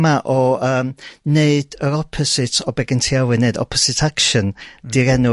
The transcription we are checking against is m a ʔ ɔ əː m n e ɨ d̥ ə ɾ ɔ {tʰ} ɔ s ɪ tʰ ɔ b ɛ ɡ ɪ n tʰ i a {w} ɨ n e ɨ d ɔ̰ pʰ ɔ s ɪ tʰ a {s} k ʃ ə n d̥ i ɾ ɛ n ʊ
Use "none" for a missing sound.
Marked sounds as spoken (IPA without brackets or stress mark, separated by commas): pʰ, w, none